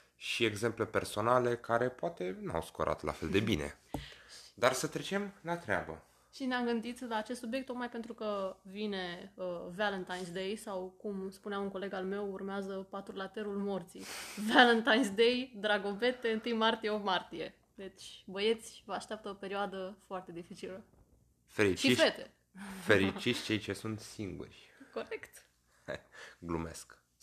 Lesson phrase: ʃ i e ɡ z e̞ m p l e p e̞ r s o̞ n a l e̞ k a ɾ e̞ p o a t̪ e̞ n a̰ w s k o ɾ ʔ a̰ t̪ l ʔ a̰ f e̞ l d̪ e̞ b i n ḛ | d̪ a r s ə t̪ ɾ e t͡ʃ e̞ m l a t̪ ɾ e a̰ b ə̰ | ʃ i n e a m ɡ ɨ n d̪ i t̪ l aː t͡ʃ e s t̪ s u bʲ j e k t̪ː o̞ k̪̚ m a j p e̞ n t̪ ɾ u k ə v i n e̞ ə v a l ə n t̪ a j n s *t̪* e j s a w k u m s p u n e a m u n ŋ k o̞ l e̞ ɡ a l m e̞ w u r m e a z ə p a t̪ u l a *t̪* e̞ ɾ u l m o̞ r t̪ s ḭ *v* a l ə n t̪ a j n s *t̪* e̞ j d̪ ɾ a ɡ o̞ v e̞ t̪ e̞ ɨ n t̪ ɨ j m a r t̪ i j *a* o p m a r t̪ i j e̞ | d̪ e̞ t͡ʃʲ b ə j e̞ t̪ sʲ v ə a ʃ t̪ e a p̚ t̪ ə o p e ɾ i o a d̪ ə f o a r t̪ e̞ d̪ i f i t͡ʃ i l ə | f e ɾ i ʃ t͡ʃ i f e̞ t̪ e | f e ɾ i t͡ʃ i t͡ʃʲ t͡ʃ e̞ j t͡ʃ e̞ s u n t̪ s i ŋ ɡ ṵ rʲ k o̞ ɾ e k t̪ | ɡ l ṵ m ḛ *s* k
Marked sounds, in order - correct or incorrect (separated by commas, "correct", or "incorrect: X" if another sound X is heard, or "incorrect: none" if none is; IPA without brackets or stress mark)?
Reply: incorrect: d̪, correct, correct, incorrect: d̪, incorrect: e, correct